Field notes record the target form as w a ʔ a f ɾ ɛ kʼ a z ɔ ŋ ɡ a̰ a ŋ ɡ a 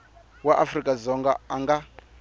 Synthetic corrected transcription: w a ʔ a f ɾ i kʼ a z ɔ ŋ ɡ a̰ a ŋ ɡ a